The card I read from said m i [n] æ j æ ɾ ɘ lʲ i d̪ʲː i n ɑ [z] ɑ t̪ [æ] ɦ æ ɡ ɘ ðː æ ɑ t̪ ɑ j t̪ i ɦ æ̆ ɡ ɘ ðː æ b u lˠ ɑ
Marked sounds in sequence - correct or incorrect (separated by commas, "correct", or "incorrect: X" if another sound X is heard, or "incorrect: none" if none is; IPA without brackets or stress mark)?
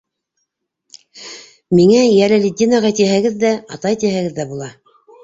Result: incorrect: ŋ, incorrect: ʁ, incorrect: i